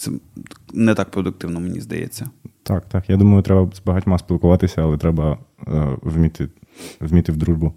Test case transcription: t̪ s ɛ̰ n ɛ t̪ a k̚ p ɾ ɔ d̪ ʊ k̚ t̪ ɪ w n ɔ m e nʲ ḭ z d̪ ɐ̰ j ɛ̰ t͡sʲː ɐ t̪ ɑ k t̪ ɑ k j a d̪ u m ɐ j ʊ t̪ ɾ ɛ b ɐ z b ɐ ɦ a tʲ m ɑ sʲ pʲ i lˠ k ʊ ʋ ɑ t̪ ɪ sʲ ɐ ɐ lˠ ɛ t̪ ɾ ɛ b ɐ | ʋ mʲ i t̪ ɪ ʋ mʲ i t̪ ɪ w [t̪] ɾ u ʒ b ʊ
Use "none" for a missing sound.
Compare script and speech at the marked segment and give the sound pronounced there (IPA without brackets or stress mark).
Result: d̪